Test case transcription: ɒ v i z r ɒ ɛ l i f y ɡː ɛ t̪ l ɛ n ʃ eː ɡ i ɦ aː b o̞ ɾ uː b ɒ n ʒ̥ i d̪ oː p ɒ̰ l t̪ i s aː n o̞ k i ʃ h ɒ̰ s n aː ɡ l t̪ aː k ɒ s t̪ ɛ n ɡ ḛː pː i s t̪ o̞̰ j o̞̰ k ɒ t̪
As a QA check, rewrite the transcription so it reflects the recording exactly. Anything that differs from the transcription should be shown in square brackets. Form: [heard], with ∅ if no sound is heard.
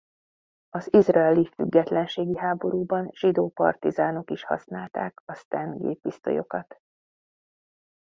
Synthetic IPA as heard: ɒ [z] i z r ɒ ɛ l i f y ɡː ɛ t̪ l ɛ n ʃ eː ɡ i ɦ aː b o̞ ɾ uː b ɒ n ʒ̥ i d̪ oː p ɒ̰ [r] t̪ i [z] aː n o̞ k i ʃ h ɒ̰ s n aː [∅] l t̪ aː k ɒ s t̪ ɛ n ɡ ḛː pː i s t̪ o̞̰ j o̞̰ k ɒ t̪